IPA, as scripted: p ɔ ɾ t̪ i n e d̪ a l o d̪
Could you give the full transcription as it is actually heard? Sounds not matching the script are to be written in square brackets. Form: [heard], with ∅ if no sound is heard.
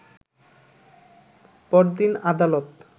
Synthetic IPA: p ɔ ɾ [d̪] i n [a] d̪ a l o [t̪]